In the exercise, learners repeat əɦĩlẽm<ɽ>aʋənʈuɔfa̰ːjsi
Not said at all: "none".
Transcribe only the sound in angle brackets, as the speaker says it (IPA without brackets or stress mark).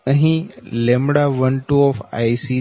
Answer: ɽ